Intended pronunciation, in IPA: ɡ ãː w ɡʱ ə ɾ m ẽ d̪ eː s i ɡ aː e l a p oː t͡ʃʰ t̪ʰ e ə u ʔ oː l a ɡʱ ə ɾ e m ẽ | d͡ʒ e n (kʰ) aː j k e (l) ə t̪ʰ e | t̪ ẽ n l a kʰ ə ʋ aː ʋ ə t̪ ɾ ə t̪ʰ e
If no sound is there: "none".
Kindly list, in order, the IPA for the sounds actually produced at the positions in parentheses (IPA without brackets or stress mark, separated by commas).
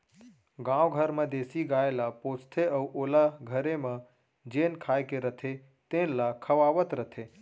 kʰ, ɾ